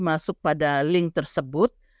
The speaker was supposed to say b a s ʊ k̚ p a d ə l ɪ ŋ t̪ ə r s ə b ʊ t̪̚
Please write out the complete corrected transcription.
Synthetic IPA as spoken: m a s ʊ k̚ p a d a l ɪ ŋ t̪ ə r s ə b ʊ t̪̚

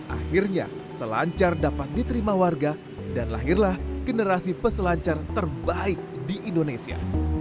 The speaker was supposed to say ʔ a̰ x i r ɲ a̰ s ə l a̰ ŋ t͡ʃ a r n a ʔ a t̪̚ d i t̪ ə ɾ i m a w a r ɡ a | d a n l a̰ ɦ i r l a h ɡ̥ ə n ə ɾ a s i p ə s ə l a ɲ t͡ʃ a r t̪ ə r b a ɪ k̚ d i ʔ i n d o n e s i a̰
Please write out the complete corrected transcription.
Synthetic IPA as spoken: ʔ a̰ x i r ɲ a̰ s ə l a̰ ɲ t͡ʃ a r d a p a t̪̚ d i t̪ ə ɾ i m a w a r ɡ a | d a n l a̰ ɦ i r l a h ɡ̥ ə n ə ɾ a s i p ə s ə l a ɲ t͡ʃ a r t̪ ə r b a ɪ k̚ d i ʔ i n d o n e s i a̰

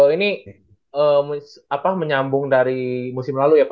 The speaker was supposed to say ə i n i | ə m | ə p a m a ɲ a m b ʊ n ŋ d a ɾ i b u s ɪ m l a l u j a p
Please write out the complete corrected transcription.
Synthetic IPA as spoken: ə i n i | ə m | a p a m ə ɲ a m b ʊ ŋ d a ɾ i m u s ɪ m l a l u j a p

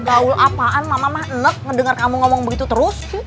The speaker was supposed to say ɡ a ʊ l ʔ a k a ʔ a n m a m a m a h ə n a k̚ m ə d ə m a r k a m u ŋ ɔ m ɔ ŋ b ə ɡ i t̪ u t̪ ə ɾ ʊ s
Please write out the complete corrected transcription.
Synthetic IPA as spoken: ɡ a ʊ l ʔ a p a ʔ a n m a m a m a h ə n ə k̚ ŋ ə d ə ŋ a r k a m u ŋ ɔ m ɔ ŋ b ə ɡ i t̪ u t̪ ə ɾ ʊ s

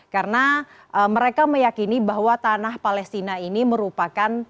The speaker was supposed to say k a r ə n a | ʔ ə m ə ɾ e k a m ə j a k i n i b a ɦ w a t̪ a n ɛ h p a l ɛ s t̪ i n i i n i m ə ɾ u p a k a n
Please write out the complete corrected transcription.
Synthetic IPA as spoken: k a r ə n a | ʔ ə m ə ɾ e k a m ə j a k i n i b a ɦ w a t̪ a n a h p a l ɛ s t̪ i n a i n i m ə ɾ u p a k a n

